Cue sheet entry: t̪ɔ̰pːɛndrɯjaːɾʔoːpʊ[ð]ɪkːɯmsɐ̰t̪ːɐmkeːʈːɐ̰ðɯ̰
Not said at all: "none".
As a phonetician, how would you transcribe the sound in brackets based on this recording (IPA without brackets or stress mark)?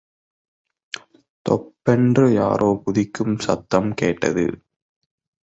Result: ð